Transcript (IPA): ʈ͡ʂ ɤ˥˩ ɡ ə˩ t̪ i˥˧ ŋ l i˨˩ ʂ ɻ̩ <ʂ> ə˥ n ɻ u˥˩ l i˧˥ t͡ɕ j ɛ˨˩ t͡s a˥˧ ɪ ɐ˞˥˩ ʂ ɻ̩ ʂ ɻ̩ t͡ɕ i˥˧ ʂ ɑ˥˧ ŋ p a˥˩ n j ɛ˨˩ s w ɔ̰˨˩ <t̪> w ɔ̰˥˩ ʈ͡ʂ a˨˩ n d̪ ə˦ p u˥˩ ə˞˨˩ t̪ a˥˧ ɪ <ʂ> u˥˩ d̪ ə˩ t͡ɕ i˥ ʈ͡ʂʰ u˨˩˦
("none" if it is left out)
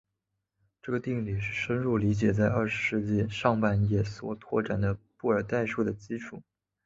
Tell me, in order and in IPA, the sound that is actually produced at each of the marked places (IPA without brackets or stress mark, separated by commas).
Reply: ʂ, t̪ʰ, ʂ